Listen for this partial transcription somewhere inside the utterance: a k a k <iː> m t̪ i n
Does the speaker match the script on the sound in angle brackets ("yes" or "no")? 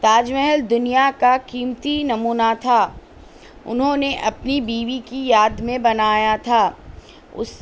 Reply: yes